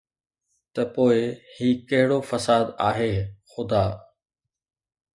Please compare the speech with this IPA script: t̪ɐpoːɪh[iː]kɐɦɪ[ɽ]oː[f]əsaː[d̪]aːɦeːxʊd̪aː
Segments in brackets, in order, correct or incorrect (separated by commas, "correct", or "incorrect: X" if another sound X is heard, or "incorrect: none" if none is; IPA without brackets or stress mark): correct, correct, correct, correct